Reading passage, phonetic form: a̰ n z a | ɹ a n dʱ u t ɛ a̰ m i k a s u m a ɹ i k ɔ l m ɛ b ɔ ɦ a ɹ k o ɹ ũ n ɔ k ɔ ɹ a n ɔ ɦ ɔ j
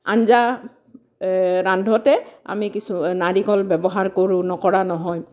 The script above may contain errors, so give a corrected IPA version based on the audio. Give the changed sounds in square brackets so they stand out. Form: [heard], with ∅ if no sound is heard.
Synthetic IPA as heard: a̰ n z a | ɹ a n dʱ [ɔ] t ɛ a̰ m i k [i] s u [n] a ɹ i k ɔ l [b] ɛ b ɔ ɦ a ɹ k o ɹ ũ n ɔ k ɔ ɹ a n ɔ ɦ ɔ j